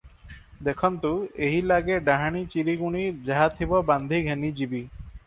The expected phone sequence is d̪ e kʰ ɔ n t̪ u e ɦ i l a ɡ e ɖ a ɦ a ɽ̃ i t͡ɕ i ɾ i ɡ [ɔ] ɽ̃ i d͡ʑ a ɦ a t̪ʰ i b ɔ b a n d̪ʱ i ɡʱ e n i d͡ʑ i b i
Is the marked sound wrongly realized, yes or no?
yes